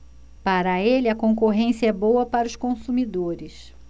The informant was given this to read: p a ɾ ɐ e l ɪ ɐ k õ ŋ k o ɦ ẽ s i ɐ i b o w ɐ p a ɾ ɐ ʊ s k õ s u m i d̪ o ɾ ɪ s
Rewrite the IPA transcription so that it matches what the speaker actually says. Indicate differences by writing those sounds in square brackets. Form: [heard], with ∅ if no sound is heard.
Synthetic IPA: p a ɾ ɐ e l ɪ ɐ k õ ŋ k o ɦ ẽ s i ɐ [ɛ] b o w ɐ p a ɾ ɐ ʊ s k õ s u m i d̪ o ɾ ɪ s

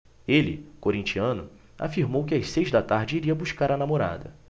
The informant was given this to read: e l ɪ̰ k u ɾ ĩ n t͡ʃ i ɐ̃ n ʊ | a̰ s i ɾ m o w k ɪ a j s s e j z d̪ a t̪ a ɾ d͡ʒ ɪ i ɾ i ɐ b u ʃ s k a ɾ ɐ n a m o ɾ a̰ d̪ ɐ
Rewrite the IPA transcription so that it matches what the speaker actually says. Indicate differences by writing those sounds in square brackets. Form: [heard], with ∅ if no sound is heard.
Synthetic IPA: e l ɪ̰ k [o] ɾ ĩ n t͡ʃ i ɐ̃ n ʊ | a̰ [f] i ɾ m o w k ɪ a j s s e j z d̪ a t̪ a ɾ d͡ʒ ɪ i ɾ i ɐ b u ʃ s k a ɾ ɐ n a m o ɾ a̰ d̪ ɐ

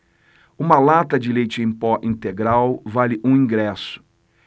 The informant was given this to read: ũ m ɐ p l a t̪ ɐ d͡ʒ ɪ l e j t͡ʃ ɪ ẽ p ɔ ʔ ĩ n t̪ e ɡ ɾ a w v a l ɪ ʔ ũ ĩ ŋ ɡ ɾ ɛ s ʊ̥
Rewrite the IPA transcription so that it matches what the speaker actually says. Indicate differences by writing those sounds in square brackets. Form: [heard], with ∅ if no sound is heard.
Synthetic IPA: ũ m ɐ [∅] l a t̪ ɐ d͡ʒ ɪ l e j t͡ʃ ɪ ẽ p ɔ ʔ ĩ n t̪ e ɡ ɾ a w v a l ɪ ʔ ũ ĩ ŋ ɡ ɾ ɛ s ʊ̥

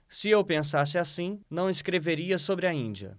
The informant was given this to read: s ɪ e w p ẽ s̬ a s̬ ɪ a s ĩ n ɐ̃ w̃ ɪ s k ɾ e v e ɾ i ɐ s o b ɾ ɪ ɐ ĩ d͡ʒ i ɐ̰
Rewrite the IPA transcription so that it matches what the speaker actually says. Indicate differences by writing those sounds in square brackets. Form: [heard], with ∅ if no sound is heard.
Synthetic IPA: s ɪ e w p ẽ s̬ a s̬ ɪ a s ĩ n ɐ̃ w̃ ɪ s k ɾ e v e ɾ i ɐ s o b ɾ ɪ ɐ ĩ d͡ʒ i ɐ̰

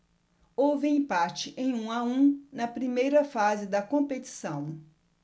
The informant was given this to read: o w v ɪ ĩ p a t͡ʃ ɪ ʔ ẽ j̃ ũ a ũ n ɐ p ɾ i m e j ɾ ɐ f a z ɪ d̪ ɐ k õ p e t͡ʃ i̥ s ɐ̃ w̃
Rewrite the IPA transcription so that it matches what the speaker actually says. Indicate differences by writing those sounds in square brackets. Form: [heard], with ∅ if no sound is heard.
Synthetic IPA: o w v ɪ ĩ p a t͡ʃ ɪ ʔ ẽ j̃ ũ a ũ n ɐ p ɾ i m e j ɾ ɐ f a z ɪ d̪ ɐ k õ p e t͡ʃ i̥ s ɐ̃ w̃

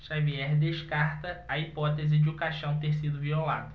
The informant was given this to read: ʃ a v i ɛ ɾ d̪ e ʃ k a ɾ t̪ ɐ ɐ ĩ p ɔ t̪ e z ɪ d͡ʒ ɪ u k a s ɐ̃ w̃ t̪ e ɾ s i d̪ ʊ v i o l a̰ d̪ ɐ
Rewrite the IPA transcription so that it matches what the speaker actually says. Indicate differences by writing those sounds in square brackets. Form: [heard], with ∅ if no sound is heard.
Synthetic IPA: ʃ a v i ɛ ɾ d̪ e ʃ k a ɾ t̪ ɐ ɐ [i] p ɔ t̪ e z ɪ d͡ʒ ɪ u k a [ʃ] ɐ̃ w̃ t̪ e ɾ s i d̪ ʊ v i o l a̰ d̪ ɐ

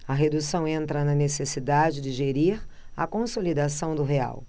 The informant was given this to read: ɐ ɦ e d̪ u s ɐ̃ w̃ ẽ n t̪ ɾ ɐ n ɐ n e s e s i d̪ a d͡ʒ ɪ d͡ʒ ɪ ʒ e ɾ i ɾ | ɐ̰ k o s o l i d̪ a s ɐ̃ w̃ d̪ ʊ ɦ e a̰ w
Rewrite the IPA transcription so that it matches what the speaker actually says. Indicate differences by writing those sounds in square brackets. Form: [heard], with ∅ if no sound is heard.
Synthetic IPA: ɐ ɦ e d̪ u s ɐ̃ w̃ ẽ n t̪ ɾ ɐ n ɐ n e s e s i d̪ a d͡ʒ ɪ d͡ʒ ɪ ʒ e ɾ i ɾ | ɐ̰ k [õ] s o l i d̪ a s ɐ̃ w̃ d̪ ʊ ɦ e a̰ w

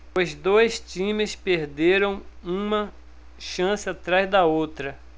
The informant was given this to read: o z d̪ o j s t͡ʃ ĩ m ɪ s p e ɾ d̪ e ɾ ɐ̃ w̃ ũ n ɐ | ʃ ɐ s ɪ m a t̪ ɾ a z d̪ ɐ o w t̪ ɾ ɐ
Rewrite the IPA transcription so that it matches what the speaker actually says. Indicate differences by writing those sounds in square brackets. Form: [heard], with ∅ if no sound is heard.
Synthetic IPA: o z d̪ o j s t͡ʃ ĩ m ɪ s p e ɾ d̪ e ɾ ɐ̃ w̃ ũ [m] ɐ | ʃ [ɐ̃] s ɪ [∅] a t̪ ɾ a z d̪ ɐ o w t̪ ɾ ɐ

